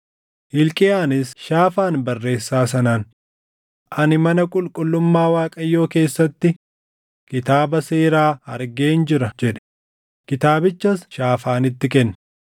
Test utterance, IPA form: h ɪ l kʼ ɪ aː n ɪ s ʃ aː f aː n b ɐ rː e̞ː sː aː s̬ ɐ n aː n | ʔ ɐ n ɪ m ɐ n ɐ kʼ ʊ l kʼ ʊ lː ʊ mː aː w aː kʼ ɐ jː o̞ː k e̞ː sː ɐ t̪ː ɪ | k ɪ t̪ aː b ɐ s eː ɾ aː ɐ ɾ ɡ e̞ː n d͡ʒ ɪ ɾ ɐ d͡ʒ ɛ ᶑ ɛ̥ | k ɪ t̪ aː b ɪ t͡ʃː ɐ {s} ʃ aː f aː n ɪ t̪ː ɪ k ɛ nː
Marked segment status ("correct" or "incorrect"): correct